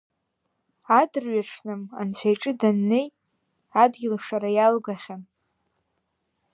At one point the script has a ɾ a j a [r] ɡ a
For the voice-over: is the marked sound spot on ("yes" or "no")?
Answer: no